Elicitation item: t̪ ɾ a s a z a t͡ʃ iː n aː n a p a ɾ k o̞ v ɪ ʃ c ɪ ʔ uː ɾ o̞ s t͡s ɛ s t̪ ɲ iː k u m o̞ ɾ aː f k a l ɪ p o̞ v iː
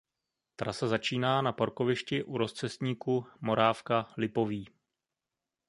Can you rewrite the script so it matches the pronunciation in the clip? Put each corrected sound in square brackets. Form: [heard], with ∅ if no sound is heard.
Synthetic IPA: t̪ ɾ a s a z a t͡ʃ iː n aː n a p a ɾ k o̞ v ɪ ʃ c ɪ ʔ [u] ɾ o̞ s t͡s ɛ s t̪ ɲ iː k u m o̞ ɾ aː f k a l ɪ p o̞ v iː